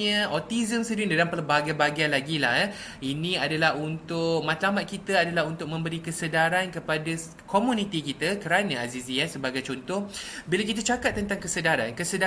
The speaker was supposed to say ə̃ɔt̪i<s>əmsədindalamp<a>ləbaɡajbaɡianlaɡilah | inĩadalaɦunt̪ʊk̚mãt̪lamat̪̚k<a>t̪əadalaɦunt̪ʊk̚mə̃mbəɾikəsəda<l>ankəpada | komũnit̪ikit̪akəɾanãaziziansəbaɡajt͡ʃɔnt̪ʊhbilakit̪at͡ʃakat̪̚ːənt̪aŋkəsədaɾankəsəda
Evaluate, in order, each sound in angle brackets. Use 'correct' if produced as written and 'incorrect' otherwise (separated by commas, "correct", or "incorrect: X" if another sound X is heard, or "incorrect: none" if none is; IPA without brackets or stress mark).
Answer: incorrect: z, incorrect: ə, incorrect: i, incorrect: ɾ